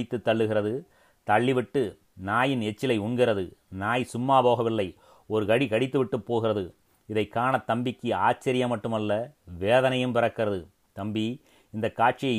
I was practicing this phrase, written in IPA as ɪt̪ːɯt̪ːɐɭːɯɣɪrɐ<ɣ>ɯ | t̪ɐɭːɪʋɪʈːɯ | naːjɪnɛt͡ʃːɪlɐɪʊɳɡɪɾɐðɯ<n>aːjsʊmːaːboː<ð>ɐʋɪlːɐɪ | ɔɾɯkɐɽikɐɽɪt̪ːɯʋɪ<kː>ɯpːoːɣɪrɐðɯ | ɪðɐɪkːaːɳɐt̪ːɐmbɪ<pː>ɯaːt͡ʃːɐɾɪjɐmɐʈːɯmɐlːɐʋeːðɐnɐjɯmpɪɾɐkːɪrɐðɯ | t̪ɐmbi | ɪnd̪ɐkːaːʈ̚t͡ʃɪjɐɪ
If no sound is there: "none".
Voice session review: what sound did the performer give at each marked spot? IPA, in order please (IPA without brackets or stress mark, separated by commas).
ð, n, ɣ, ʈː, kː